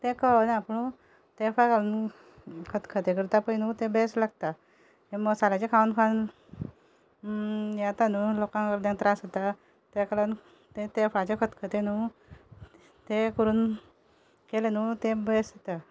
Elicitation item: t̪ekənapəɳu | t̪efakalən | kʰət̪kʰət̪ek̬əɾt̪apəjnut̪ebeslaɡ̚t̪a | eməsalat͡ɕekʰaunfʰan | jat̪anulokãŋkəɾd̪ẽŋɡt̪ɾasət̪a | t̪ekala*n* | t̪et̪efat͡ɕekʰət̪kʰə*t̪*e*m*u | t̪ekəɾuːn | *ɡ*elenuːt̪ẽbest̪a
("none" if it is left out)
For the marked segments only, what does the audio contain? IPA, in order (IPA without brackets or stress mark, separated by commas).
n, t̪, n, k